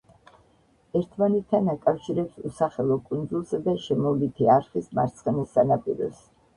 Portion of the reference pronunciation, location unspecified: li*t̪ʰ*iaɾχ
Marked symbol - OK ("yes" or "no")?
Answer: yes